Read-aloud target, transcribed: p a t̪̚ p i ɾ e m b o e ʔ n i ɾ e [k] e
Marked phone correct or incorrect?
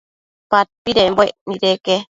correct